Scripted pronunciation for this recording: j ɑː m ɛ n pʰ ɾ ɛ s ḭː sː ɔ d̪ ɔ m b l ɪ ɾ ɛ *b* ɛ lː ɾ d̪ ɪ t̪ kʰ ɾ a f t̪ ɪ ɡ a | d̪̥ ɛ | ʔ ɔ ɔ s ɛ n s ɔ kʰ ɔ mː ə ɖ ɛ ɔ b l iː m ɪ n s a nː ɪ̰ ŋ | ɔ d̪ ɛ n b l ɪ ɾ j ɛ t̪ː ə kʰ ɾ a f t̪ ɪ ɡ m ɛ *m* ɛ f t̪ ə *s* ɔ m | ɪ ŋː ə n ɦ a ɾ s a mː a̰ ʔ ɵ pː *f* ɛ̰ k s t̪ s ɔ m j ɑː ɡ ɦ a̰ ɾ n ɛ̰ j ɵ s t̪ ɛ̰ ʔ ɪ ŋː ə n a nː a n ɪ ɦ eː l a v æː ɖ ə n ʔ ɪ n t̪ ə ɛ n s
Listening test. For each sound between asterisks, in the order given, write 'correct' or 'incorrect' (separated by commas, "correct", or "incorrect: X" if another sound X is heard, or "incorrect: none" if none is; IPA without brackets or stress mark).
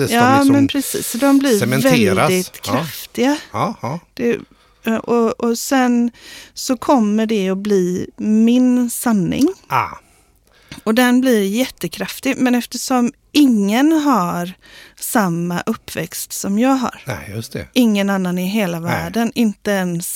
incorrect: v, incorrect: n, incorrect: ʂ, incorrect: v